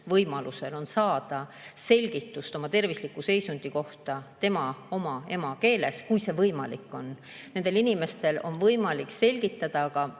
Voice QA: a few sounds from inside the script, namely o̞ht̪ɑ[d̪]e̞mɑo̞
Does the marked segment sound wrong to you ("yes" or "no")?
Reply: yes